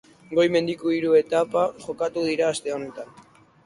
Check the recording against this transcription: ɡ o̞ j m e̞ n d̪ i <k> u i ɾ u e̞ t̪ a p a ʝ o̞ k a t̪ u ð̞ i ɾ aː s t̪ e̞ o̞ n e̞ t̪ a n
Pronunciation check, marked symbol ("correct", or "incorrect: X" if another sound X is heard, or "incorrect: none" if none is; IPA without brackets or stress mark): correct